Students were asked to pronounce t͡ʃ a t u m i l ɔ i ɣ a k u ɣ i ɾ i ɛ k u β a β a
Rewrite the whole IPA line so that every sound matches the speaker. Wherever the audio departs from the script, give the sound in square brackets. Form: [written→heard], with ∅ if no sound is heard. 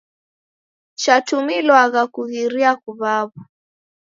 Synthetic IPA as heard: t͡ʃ a t u m i l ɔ [i→a] ɣ a k u ɣ i ɾ i [ɛ→a] k u β a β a